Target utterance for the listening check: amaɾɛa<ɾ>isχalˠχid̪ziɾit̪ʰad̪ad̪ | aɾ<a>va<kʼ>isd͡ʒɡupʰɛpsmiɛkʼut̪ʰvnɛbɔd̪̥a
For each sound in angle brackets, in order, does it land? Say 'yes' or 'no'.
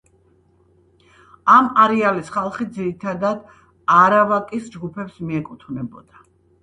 no, yes, yes

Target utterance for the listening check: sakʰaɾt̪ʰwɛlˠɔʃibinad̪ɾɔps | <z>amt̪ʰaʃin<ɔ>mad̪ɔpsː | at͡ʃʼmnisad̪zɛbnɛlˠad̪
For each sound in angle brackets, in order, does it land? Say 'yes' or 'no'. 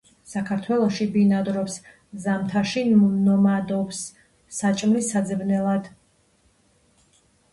yes, yes

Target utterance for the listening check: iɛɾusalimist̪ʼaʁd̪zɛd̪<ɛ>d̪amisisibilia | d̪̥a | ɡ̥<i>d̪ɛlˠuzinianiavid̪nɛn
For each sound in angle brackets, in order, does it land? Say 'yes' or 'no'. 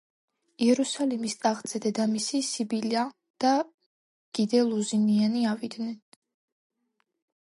yes, yes

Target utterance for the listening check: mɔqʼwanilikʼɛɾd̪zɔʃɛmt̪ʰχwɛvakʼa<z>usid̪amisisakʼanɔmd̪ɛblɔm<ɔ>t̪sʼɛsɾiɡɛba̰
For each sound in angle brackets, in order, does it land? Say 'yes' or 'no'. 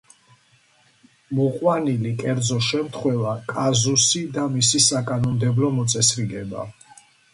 yes, yes

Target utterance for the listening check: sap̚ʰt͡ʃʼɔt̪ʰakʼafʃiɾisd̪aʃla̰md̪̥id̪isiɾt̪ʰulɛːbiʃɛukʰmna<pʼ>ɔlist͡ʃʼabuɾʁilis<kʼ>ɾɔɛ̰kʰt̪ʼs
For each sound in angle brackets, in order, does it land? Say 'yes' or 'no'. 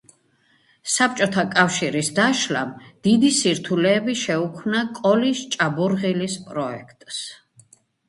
no, no

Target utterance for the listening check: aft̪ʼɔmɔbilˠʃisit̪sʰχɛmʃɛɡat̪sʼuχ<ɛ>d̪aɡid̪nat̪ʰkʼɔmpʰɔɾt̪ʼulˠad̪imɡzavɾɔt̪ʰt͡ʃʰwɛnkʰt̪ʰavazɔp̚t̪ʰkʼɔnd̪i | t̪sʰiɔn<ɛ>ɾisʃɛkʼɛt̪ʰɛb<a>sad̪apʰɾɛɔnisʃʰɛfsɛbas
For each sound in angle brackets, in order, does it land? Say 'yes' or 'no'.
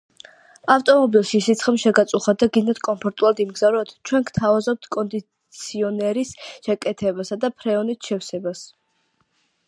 no, yes, yes

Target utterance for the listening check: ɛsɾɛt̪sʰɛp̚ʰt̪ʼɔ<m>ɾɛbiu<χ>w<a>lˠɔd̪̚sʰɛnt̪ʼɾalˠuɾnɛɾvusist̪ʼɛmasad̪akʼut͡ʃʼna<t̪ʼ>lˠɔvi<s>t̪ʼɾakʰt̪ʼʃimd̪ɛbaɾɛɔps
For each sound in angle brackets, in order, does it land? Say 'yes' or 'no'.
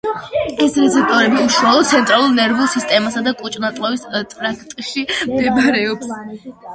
no, no, yes, yes, yes

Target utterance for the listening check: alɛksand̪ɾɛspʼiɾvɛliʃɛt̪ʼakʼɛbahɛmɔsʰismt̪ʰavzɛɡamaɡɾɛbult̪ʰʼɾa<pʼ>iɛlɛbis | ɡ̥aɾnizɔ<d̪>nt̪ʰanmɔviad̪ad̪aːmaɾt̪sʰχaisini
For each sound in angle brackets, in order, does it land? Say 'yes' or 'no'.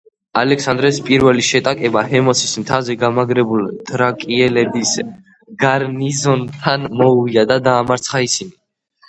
no, no

